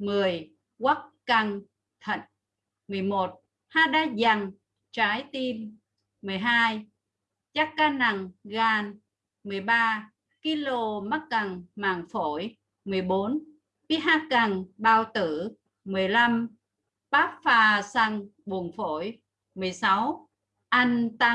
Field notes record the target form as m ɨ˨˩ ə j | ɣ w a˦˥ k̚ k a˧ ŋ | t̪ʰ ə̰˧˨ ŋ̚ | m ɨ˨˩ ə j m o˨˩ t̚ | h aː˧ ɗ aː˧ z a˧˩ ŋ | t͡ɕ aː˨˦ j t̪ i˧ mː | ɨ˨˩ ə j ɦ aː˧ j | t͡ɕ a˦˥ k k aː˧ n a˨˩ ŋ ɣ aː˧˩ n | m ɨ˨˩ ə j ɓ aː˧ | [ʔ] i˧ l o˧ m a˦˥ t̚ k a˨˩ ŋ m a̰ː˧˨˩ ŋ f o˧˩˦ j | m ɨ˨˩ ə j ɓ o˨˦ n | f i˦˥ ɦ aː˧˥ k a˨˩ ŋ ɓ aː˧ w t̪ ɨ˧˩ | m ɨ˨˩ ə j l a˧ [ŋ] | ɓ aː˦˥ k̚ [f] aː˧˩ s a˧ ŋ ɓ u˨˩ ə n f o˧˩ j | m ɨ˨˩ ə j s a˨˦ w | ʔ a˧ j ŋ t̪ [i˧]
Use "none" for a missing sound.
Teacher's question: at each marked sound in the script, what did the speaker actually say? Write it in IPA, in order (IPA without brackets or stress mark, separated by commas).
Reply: k, m, f, a˧